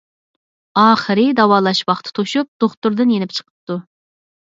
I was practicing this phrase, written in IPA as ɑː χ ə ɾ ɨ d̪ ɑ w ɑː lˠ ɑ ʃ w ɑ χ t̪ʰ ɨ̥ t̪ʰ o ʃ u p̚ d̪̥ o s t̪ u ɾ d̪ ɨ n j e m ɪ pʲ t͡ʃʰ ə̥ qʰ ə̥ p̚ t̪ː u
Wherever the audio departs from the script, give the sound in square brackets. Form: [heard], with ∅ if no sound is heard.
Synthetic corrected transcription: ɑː χ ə ɾ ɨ d̪ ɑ w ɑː lˠ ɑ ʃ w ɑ χ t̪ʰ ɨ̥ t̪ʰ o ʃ u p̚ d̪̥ o [χ] t̪ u ɾ d̪ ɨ n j e [n] ɪ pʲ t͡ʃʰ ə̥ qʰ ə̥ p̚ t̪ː u